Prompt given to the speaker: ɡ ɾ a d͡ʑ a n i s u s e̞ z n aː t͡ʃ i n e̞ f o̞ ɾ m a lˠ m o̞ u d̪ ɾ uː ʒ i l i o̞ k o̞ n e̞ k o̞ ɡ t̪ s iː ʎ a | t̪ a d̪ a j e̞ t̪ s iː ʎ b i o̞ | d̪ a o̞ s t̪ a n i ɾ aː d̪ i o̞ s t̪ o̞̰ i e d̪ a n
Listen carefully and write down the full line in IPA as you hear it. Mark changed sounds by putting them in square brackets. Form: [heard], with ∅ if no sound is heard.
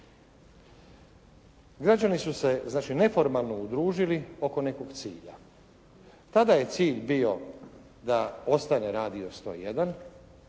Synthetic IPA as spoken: ɡ ɾ a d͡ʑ a n i s u s e̞ z n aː t͡ʃ i n e̞ f o̞ ɾ m a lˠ [n] o̞ u d̪ ɾ uː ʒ i l i o̞ k o̞ n e̞ k o̞ ɡ t̪ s iː ʎ a | t̪ a d̪ a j e̞ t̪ s iː ʎ b i o̞ | d̪ a o̞ s t̪ a n [e] ɾ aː d̪ i o̞ s t̪ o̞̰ [j] e d̪ a n